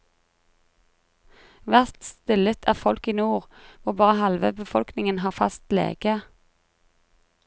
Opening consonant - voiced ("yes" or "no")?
yes